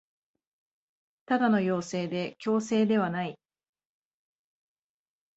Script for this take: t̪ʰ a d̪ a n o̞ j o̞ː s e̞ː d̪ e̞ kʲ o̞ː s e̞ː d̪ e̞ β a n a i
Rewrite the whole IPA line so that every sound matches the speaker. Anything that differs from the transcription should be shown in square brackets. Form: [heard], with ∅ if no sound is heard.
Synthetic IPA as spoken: [t̪] a d̪ a n o̞ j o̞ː s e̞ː d̪ e̞ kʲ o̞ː s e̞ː d̪ e̞ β a n a i